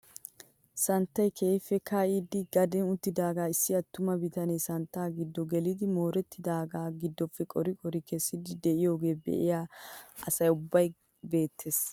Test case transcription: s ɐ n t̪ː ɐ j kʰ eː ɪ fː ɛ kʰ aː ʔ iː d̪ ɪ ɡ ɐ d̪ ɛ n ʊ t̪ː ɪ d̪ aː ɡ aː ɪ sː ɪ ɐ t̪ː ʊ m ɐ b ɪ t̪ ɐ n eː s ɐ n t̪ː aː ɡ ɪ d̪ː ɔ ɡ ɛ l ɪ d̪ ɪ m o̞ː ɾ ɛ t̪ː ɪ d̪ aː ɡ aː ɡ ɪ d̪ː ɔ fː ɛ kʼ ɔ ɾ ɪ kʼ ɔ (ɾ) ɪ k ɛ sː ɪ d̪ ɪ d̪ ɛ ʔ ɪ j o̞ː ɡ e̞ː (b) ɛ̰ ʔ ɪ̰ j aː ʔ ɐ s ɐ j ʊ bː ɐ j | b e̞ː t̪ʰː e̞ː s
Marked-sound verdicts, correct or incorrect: correct, correct

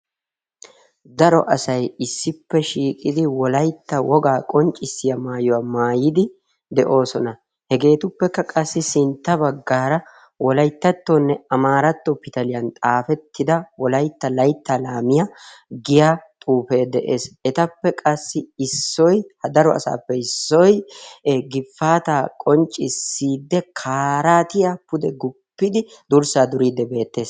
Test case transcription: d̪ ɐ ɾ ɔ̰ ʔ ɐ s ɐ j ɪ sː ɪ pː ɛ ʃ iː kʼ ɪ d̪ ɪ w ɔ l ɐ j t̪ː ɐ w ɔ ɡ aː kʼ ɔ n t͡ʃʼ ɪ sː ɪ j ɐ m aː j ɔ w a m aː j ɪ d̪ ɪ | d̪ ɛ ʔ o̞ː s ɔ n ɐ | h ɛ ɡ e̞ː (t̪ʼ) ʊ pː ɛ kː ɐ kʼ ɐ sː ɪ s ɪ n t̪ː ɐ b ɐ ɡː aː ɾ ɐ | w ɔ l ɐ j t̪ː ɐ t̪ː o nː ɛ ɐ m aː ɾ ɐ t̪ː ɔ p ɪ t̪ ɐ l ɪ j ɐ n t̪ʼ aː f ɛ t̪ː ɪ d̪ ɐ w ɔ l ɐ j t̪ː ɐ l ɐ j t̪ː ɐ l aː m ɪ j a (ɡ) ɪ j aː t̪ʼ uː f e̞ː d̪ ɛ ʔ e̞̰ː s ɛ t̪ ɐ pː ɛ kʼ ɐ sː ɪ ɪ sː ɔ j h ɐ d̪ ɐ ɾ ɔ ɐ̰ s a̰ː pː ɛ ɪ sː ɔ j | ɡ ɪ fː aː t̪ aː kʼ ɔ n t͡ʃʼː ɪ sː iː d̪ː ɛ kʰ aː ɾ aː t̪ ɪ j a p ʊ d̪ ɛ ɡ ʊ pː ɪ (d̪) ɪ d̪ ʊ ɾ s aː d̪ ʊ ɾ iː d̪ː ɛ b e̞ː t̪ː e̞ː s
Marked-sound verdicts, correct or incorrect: incorrect: t̪, correct, correct

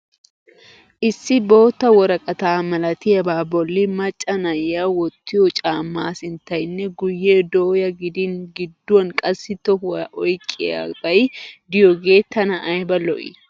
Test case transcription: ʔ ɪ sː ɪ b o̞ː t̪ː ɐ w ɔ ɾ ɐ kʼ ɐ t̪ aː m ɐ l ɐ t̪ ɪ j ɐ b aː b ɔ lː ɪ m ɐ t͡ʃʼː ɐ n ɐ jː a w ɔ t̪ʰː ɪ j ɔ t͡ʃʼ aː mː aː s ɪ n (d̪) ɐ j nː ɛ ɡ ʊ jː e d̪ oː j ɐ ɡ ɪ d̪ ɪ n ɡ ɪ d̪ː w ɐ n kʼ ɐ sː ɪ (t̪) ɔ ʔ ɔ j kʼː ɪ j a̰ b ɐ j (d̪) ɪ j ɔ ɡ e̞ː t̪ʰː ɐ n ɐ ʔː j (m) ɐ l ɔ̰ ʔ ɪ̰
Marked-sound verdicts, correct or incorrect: incorrect: t̪, correct, correct, incorrect: b

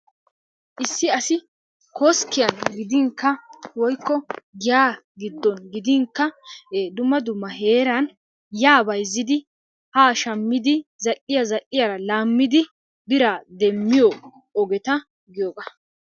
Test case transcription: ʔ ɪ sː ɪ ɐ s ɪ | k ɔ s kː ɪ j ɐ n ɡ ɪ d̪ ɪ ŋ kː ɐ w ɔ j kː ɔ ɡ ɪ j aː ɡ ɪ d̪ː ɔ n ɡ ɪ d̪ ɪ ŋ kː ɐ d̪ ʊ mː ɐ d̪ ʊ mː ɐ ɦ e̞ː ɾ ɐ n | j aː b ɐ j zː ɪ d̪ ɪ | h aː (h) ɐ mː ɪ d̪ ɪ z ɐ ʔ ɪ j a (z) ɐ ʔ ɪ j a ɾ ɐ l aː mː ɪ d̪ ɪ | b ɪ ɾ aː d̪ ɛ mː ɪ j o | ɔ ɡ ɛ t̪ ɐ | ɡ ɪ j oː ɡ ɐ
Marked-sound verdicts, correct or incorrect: incorrect: ʃ, correct

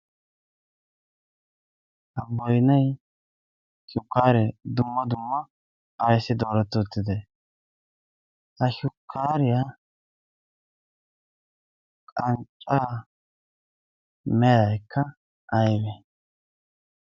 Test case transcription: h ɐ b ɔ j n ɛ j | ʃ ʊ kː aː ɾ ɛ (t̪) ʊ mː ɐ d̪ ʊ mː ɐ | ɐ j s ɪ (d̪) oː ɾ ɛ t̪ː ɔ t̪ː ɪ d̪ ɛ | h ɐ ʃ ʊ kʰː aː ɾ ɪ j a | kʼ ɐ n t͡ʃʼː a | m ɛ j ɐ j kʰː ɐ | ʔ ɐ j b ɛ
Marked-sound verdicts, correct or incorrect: incorrect: d̪, correct

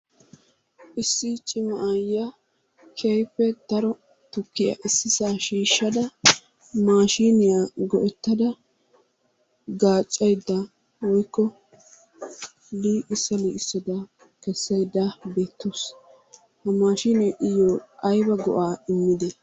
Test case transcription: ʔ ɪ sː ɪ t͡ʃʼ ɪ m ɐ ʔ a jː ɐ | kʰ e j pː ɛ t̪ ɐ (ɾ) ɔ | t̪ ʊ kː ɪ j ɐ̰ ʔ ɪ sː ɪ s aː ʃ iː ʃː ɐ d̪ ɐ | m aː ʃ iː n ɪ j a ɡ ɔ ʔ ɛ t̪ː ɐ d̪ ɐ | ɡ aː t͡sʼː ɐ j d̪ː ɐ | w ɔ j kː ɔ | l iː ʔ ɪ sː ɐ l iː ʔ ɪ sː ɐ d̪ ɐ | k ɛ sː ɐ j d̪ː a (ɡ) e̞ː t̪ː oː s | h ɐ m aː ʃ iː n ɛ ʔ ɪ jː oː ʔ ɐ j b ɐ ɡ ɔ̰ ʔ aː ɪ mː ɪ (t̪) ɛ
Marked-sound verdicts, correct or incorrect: correct, incorrect: b, incorrect: d̪

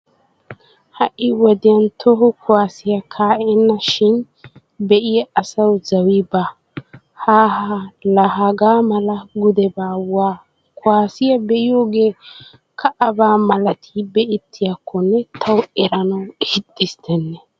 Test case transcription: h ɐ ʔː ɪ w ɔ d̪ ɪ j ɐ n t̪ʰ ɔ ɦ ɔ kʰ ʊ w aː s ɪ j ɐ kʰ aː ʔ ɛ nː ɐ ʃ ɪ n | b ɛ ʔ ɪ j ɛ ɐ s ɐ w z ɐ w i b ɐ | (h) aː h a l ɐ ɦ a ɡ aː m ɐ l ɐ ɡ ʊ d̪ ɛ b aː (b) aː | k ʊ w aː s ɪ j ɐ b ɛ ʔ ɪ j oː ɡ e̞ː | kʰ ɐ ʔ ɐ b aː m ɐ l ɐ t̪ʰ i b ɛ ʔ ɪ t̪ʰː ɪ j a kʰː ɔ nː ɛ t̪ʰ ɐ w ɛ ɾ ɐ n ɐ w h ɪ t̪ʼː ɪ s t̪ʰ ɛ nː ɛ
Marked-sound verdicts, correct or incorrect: correct, incorrect: w

